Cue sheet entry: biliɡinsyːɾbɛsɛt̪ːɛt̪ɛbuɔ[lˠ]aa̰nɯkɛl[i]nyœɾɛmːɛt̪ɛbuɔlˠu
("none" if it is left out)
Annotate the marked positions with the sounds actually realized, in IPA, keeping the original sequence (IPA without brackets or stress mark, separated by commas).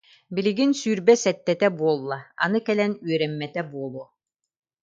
lˠː, ɛ